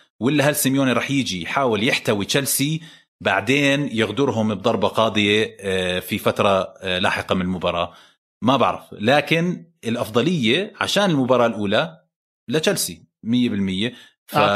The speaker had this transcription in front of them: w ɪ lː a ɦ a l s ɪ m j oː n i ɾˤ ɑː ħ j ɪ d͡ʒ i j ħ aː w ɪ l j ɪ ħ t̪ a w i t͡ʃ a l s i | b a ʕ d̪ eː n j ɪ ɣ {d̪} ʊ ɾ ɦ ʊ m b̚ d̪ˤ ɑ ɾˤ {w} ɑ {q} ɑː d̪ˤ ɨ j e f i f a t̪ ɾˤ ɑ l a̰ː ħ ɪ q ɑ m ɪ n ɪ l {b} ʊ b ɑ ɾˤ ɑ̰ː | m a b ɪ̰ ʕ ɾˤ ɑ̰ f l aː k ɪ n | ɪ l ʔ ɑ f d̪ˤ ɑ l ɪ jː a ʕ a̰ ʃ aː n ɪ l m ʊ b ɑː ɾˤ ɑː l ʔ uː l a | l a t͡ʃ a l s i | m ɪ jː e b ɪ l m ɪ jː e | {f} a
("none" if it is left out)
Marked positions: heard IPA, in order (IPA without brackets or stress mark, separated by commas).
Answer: d̪, b, q, m, f